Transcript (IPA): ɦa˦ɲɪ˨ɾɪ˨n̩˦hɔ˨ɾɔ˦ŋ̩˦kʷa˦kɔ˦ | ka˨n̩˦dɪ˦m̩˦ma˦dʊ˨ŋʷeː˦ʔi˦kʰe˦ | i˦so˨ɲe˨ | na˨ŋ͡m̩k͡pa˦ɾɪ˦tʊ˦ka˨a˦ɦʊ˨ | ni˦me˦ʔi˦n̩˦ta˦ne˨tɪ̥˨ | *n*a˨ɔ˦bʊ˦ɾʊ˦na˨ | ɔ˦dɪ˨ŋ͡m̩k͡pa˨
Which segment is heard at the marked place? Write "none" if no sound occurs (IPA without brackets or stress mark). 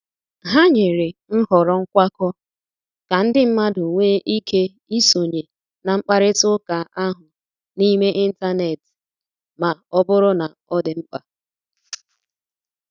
m